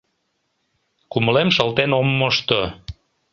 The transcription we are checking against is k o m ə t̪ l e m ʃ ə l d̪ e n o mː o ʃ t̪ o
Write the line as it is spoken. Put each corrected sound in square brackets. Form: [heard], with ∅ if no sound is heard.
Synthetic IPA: k [u] m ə [∅] l e m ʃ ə l [t̪] e n o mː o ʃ t̪ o